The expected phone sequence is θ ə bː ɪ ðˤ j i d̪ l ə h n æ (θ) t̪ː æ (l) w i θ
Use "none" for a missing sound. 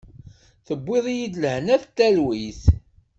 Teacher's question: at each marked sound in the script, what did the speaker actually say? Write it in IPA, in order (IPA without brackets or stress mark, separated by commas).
θ, l